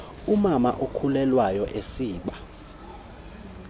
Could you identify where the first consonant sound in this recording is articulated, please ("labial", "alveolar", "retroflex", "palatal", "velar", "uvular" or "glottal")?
labial